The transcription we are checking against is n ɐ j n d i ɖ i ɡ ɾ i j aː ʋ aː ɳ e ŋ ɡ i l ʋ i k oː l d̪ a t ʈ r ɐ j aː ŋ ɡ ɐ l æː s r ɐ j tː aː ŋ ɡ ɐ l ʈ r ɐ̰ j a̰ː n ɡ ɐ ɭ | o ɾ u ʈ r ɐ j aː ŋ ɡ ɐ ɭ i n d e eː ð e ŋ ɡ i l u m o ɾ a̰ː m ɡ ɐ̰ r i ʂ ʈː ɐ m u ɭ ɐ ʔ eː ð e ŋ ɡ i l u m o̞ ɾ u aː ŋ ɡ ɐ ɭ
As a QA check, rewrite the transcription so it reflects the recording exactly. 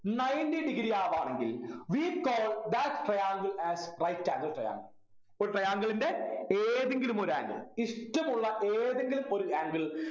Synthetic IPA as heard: n ɐ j n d i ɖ i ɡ ɾ i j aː ʋ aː ɳ e ŋ ɡ i l ʋ i k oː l d̪ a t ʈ r ɐ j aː ŋ ɡ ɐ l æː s r ɐ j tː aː ŋ ɡ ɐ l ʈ r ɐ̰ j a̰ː ŋ ɡ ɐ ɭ | o ɾ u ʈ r ɐ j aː ŋ ɡ ɐ ɭ i n d e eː ð e ŋ ɡ i l u m o ɾ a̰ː ŋ ɡ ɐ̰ ɭ i ʂ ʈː ɐ m u ɭː ɐ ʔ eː ð e ŋ ɡ i l u m o̞ ɾ u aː ŋ ɡ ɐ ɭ